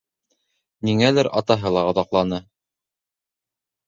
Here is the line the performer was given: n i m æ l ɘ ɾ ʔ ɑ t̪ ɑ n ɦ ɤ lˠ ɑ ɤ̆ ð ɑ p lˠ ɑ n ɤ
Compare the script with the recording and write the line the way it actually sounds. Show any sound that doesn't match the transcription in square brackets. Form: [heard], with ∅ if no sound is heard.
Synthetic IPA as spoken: n i [ŋ] æ l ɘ ɾ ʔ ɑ t̪ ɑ [∅] ɦ ɤ lˠ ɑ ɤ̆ ð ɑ [q] lˠ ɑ n ɤ

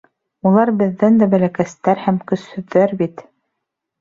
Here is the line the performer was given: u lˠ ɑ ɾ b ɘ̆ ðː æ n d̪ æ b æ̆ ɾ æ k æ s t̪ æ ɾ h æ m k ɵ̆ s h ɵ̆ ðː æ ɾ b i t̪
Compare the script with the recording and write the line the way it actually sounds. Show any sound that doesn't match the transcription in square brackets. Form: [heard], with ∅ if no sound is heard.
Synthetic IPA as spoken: u lˠ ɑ ɾ b ɘ̆ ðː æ n d̪ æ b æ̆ [l] æ k æ s t̪ æ ɾ h æ m k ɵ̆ s h ɵ̆ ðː æ ɾ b i t̪

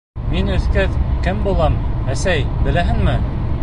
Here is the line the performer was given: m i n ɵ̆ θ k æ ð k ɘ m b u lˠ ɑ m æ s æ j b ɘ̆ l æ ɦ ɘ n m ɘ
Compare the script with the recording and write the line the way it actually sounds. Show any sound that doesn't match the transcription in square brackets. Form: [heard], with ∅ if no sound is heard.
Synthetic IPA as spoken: m i n ɵ̆ θ k æ ð k ɘ m b u lˠ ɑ m æ s æ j b ɘ̆ l æ ɦ ɘ n m ɘ

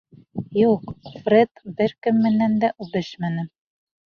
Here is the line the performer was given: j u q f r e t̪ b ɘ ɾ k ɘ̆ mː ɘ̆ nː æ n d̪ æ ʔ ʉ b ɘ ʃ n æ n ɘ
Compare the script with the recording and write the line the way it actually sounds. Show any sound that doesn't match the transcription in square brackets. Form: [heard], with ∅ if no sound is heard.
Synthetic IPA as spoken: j u q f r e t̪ b ɘ ɾ k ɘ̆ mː ɘ̆ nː æ n d̪ æ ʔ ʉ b ɘ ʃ [m] æ n ɘ

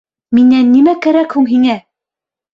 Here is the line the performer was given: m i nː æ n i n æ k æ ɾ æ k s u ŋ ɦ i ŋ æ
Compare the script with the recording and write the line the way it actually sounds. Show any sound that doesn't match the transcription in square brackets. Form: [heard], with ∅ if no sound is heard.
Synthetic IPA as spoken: m i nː æ [nː] i [m] æ k æ ɾ æ k [h] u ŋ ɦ i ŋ æ

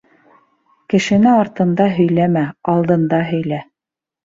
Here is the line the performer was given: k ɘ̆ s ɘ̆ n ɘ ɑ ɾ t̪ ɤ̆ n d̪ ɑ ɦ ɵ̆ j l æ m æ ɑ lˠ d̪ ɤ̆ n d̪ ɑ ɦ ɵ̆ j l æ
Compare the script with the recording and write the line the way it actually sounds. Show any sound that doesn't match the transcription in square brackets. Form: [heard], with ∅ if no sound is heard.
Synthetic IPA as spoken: k ɘ̆ [ʃ] ɘ̆ n ɘ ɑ ɾ t̪ ɤ̆ n d̪ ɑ ɦ ɵ̆ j l æ m æ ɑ lˠ d̪ ɤ̆ n d̪ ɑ ɦ ɵ̆ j l æ

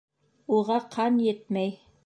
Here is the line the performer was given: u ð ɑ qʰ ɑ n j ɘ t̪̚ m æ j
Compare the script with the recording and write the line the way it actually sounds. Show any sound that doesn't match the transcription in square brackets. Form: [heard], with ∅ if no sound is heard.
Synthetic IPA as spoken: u [ʁ] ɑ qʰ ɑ n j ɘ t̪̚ m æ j

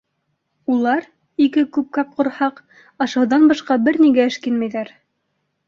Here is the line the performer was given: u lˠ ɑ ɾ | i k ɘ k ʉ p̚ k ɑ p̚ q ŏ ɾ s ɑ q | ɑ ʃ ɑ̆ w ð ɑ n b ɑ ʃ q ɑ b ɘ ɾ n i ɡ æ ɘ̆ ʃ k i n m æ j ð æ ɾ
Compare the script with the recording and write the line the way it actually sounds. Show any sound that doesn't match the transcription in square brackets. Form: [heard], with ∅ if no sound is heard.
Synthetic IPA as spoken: u lˠ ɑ ɾ | i k ɘ k ʉ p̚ k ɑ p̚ q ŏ ɾ [h] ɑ q | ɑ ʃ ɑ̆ w ð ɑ n b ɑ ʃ q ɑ b ɘ ɾ n i ɡ æ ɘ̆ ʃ k i n m æ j ð æ ɾ

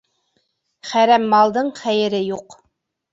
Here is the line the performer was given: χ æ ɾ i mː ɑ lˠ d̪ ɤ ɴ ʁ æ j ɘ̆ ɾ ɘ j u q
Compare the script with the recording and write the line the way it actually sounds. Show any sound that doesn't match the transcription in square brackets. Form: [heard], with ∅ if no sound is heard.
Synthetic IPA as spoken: χ æ ɾ [æ] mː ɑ lˠ d̪ ɤ ɴ [χ] æ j ɘ̆ ɾ ɘ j u q

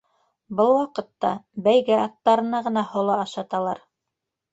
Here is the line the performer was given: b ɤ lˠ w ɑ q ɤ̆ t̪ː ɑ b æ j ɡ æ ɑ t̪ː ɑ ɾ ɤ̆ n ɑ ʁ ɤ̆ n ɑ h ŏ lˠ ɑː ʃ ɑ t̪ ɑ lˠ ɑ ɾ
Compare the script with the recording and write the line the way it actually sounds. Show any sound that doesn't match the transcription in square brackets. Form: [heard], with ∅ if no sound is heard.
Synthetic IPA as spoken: b ɤ lˠ w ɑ q ɤ̆ t̪ː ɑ b æ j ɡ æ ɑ t̪ː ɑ ɾ ɤ̆ n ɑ ʁ ɤ̆ n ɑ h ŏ lˠ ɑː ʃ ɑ t̪ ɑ lˠ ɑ ɾ

